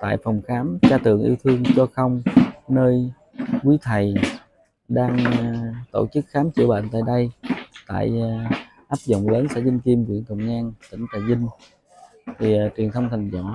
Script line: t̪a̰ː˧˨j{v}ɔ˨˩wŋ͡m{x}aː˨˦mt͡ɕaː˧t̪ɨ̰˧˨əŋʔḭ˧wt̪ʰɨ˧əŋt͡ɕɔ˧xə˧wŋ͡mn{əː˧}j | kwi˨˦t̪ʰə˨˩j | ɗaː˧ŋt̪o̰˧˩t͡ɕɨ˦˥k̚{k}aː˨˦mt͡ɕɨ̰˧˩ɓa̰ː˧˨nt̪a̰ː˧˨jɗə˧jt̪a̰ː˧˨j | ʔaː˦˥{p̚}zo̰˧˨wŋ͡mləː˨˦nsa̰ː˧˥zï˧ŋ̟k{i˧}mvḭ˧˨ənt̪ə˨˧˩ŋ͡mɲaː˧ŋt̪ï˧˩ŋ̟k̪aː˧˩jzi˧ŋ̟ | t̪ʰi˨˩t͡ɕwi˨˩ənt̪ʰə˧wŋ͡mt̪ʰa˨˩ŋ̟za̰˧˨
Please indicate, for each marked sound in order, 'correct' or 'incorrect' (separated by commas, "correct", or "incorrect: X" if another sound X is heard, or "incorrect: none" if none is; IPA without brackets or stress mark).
incorrect: f, correct, correct, incorrect: x, correct, correct